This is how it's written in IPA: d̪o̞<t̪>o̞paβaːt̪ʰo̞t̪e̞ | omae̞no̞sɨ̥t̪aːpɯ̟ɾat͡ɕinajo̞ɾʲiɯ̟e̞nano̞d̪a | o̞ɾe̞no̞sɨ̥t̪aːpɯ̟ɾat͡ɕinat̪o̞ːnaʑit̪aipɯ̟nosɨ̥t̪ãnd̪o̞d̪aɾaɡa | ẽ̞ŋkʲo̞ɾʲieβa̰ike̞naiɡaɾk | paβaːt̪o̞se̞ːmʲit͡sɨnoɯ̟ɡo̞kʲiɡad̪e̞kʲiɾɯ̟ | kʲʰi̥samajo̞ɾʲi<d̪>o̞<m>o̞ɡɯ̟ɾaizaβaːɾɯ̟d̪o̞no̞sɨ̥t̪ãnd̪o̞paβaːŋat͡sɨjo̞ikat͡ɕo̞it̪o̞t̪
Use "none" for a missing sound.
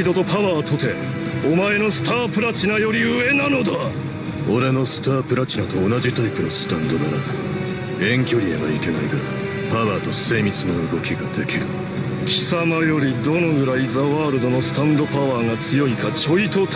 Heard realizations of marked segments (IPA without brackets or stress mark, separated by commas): t̪, d̪, n